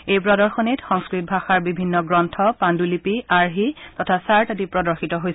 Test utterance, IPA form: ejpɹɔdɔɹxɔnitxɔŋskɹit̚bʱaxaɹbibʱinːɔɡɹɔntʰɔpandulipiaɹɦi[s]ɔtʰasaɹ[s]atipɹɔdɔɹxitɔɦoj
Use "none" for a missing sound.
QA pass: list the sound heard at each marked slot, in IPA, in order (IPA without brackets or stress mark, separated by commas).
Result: t, t